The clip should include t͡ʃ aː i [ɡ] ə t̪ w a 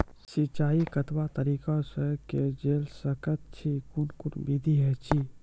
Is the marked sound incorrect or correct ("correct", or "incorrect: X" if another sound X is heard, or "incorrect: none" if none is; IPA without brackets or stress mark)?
incorrect: k